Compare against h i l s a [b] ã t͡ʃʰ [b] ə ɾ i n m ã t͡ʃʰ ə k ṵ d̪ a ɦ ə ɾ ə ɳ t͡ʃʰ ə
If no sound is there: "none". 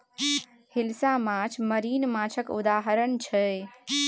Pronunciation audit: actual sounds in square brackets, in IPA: m, m

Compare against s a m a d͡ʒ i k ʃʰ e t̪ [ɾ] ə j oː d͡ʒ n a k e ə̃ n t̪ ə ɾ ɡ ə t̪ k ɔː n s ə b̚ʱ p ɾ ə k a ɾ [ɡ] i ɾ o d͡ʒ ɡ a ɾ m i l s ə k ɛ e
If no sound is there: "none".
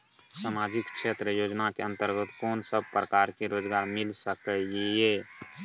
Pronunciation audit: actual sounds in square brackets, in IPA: ɾ, k

